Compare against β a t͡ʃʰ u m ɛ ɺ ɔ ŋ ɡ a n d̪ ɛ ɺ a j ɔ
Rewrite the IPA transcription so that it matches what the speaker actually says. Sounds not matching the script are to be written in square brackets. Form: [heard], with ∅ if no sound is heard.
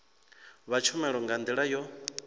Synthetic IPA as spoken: β a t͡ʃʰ u m ɛ ɺ ɔ ŋ ɡ a n d̪ [i] ɺ a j ɔ